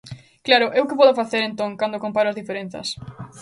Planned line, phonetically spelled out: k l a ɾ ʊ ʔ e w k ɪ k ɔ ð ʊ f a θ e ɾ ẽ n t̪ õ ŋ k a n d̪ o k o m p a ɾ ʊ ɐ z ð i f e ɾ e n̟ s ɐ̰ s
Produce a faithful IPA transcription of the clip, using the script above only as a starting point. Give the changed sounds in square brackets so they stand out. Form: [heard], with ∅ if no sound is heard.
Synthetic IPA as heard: k l a ɾ ʊ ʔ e w k ɪ [p] ɔ ð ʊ f a θ e ɾ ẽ n t̪ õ ŋ k a n d̪ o k o m p a ɾ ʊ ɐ z ð i f e ɾ e n̟ [θ] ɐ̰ s